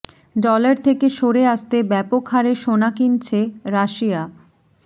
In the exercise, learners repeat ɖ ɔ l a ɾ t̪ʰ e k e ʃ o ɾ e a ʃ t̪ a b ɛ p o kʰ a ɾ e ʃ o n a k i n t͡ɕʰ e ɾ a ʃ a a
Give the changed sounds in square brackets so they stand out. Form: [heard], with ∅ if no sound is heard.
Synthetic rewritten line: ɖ ɔ l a ɾ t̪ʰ e k e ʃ o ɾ e a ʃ t̪ [e] b ɛ p o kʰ a ɾ e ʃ o n a k i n t͡ɕʰ e ɾ a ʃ [i] a